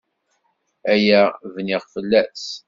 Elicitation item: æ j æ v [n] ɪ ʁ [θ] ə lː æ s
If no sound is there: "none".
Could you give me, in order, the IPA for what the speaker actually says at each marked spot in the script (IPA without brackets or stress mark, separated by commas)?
n, f